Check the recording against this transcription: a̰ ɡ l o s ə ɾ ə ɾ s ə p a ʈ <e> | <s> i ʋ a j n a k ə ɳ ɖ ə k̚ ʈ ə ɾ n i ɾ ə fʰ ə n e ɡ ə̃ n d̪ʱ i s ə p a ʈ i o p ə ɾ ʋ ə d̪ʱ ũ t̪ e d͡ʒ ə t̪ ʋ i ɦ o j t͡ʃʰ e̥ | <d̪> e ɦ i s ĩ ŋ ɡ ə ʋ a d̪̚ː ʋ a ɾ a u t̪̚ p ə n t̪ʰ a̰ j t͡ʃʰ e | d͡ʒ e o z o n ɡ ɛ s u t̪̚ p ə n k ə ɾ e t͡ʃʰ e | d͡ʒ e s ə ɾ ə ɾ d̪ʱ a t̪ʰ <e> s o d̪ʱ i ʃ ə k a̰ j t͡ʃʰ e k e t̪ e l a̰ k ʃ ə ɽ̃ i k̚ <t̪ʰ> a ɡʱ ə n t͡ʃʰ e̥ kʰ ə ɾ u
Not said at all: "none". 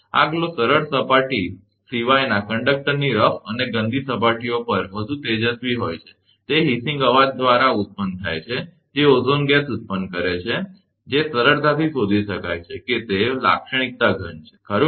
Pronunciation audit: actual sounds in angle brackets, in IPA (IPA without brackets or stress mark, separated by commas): i, s, t̪, i, t̪